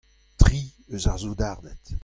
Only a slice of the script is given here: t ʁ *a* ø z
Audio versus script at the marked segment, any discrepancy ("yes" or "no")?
yes